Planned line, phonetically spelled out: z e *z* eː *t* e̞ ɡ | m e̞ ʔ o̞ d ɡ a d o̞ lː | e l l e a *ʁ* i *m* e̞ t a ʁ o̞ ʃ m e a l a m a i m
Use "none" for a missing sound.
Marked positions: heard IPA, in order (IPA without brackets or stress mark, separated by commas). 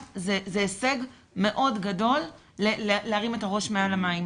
z, s, ʁ, m